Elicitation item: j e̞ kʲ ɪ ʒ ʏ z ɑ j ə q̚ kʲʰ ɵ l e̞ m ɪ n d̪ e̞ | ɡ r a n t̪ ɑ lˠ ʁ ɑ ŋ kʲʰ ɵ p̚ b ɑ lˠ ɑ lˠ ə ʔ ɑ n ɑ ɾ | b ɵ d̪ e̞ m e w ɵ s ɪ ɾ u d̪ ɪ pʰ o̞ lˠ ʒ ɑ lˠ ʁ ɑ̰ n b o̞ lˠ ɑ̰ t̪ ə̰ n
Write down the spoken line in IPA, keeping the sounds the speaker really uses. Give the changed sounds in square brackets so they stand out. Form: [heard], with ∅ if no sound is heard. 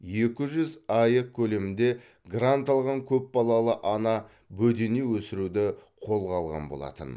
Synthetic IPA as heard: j e̞ kʲ ɪ ʒ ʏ z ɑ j ə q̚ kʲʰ ɵ l e̞ m ɪ n d̪ e̞ | ɡ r a n t̪ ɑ lˠ ʁ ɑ ŋ kʲʰ ɵ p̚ b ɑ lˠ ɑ lˠ ə ʔ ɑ n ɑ [∅] | b ɵ d̪ e̞ [n] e w ɵ s ɪ ɾ u d̪ ɪ [qʰ] o̞ lˠ [ʁ] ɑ lˠ ʁ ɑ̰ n b o̞ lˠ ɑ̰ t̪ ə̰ n